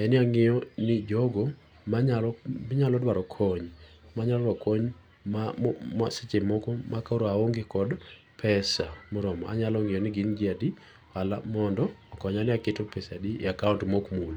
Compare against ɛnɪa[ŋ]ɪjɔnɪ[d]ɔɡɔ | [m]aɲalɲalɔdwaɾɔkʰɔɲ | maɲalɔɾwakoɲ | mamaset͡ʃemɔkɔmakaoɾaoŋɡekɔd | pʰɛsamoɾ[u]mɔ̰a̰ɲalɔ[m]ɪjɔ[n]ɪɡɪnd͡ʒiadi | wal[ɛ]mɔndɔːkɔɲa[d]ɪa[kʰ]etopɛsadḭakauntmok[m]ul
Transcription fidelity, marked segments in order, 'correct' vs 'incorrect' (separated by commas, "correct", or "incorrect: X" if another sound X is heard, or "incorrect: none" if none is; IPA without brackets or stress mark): correct, incorrect: d͡ʒ, correct, incorrect: ɔ, incorrect: ŋ, correct, incorrect: a, incorrect: n, incorrect: k, correct